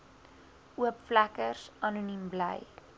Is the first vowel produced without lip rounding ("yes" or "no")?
no